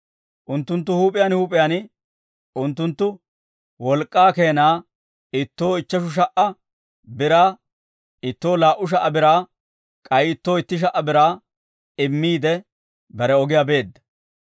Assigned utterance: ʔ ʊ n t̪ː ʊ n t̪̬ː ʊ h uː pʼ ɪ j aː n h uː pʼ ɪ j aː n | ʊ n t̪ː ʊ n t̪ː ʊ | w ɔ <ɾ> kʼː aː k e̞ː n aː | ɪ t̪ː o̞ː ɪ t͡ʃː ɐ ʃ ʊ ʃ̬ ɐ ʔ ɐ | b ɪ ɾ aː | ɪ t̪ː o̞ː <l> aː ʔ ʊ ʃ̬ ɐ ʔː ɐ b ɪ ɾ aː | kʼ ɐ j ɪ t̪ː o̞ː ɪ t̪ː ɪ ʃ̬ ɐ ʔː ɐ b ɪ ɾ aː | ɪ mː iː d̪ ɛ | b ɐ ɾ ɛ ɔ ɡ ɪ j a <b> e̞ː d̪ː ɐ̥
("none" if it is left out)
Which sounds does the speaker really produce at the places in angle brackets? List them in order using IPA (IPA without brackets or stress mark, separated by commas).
l, l, b